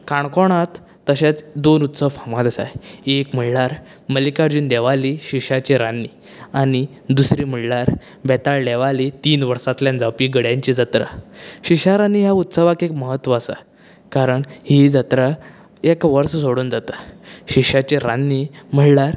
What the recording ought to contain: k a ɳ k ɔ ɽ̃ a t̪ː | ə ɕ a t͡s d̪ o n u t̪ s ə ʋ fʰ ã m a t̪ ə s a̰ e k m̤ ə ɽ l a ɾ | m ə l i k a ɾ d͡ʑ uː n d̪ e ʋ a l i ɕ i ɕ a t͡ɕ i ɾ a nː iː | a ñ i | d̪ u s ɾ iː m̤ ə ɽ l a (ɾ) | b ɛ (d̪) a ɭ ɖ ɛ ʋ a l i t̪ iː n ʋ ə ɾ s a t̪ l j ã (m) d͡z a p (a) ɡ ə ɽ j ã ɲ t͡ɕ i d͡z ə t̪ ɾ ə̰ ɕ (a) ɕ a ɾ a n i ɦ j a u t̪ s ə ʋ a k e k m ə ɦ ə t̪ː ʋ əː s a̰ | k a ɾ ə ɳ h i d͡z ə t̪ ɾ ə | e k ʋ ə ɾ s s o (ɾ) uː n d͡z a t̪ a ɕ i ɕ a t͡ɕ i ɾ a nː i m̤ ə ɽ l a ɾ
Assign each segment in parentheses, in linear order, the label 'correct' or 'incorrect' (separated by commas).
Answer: correct, incorrect, incorrect, incorrect, incorrect, incorrect